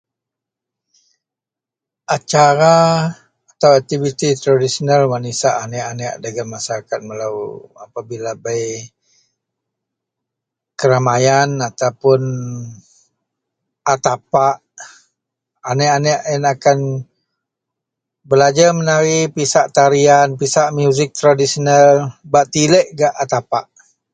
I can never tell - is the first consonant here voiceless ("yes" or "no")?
yes